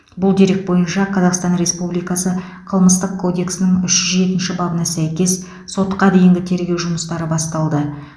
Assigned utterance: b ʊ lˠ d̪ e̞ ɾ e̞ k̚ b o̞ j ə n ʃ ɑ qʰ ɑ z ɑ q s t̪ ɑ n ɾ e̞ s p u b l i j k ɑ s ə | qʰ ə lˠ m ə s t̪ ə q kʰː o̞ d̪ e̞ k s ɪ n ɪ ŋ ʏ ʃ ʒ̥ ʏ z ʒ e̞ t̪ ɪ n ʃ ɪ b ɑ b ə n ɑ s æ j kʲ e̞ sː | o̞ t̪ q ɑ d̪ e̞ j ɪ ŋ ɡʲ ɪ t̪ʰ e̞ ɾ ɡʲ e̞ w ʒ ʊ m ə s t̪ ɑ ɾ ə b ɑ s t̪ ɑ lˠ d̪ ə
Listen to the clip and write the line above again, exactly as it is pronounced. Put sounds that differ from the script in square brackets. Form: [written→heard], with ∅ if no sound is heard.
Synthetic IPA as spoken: b ʊ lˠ d̪ e̞ ɾ e̞ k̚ b o̞ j ə n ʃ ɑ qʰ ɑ z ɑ q s t̪ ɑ n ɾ e̞ s p u b l i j k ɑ s ə | qʰ ə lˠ m ə s t̪ ə q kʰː o̞ d̪ e̞ k s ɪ n ɪ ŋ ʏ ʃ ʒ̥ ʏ z ʒ e̞ t̪ ɪ n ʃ ɪ b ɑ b ə n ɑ s æ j kʲ e̞ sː | o̞ t̪ q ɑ d̪ e̞ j ɪ ŋ ɡʲ ɪ t̪ʰ e̞ ɾ ɡʲ e̞ w ʒ ʊ m ə s t̪ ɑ ɾ ə b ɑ s t̪ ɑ lˠ d̪ ə